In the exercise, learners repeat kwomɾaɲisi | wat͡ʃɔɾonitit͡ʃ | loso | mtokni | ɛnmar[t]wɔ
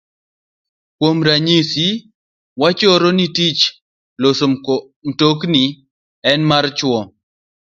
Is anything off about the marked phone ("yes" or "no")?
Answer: yes